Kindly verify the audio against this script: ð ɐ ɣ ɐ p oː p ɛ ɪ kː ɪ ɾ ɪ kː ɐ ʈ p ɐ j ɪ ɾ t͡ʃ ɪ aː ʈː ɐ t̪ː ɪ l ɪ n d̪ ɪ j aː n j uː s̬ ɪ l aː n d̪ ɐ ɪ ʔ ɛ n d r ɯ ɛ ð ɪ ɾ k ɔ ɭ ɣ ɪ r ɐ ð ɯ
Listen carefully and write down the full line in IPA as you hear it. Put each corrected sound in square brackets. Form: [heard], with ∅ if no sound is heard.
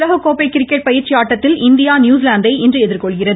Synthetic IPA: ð ɐ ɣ ɐ [k] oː p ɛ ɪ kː ɪ ɾ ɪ kː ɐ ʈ p ɐ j ɪ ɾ t͡ʃ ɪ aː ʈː ɐ t̪ː ɪ l ɪ n d̪ ɪ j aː n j uː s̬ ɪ l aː n d̪ ɐ ɪ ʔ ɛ n d r ɯ ɛ ð ɪ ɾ k ɔ ɭ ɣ ɪ r ɐ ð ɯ

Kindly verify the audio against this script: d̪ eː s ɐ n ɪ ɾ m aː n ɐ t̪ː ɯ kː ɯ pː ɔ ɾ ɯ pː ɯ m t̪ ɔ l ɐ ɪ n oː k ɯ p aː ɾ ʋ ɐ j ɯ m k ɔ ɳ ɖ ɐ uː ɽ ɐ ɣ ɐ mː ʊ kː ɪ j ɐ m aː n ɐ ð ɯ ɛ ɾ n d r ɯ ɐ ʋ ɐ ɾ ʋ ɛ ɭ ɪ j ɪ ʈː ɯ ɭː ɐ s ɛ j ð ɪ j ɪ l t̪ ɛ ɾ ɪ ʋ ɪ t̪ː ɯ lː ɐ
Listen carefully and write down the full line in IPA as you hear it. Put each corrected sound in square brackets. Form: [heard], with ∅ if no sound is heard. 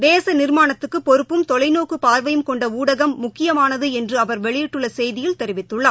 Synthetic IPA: d̪ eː s ɐ n ɪ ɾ m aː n ɐ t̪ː ɯ kː ɯ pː ɔ ɾ ɯ pː ɯ m t̪ ɔ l ɐ ɪ n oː k ɯ p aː ɾ ʋ ɐ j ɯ m k ɔ ɳ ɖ ɐ uː ɽ ɐ ɣ ɐ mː ʊ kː ɪ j ɐ m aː n ɐ ð ɯ ɛ [∅] n d r ɯ ɐ ʋ ɐ ɾ ʋ ɛ ɭ ɪ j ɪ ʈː ɯ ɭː ɐ s ɛ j ð ɪ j ɪ l t̪ ɛ ɾ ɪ ʋ ɪ t̪ː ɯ [ɭː] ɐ

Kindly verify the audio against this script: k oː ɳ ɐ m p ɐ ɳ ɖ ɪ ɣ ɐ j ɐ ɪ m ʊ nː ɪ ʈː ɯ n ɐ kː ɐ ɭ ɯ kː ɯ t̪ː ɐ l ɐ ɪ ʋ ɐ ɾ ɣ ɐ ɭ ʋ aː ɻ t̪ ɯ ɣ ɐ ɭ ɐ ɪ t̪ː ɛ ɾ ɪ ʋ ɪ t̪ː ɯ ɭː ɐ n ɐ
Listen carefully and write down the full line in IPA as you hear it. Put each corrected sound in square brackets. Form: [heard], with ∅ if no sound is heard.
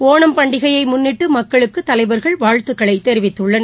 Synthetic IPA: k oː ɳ ɐ m p ɐ ɳ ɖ ɪ ɣ ɐ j ɐ ɪ m ʊ nː ɪ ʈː ɯ [m] ɐ kː ɐ ɭ ɯ kː ɯ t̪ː ɐ l ɐ ɪ ʋ ɐ ɾ ɣ ɐ ɭ ʋ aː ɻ t̪ ɯ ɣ ɐ ɭ ɐ ɪ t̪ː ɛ ɾ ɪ ʋ ɪ t̪ː ɯ ɭː ɐ n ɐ

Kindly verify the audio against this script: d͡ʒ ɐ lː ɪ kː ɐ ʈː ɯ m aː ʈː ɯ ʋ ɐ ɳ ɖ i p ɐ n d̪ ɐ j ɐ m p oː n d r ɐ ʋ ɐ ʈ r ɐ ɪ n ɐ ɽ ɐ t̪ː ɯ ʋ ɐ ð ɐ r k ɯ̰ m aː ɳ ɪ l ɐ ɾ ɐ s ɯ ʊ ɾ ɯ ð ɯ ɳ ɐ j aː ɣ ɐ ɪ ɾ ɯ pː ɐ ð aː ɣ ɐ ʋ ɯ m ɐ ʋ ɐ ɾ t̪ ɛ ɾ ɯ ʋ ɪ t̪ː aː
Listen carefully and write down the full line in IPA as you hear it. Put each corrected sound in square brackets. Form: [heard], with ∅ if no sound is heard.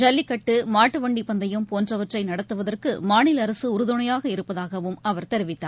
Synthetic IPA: d͡ʒ ɐ lː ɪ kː ɐ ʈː ɯ m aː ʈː ɯ ʋ ɐ ɳ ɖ i p ɐ n d̪ ɐ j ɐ m p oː n d r ɐ ʋ ɐ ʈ r ɐ ɪ n ɐ ɽ ɐ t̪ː ɯ ʋ ɐ ð ɐ r k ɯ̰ m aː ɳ ɪ l ɐ ɾ ɐ s ɯ ʊ ɾ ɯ ð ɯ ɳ ɐ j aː ɣ ɐ ɪ ɾ ɯ pː ɐ ð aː ɣ ɐ ʋ ɯ m ɐ ʋ ɐ ɾ t̪ ɛ ɾ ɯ ʋ ɪ t̪ː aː

